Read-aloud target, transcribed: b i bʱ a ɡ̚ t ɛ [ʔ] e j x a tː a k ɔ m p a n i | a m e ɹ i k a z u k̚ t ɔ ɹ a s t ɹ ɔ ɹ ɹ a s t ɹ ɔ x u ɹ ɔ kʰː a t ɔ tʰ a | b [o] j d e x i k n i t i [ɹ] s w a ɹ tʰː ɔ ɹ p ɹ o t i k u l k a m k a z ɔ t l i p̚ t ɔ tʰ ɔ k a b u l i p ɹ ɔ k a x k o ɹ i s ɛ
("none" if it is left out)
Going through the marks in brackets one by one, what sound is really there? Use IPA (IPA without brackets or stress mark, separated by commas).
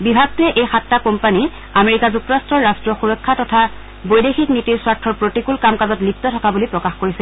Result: ʔ, o, ɹ